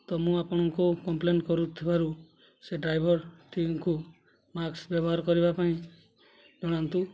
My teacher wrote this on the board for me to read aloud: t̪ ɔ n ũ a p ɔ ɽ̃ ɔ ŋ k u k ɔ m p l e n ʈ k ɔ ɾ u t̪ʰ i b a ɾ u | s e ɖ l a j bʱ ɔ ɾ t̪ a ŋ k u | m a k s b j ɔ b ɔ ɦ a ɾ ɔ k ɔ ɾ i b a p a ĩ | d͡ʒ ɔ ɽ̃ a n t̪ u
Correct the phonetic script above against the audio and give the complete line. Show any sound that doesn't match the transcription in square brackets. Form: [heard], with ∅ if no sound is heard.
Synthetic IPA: t̪ ɔ [m] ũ a p ɔ ɽ̃ ɔ ŋ k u k ɔ m p l e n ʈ k ɔ ɾ u t̪ʰ i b a ɾ u | s e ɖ [ɾ] a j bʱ ɔ ɾ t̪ [i] ŋ k u | m a k s b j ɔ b ɔ ɦ a ɾ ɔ k ɔ ɾ i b a p a ĩ | d͡ʒ ɔ ɽ̃ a n t̪ u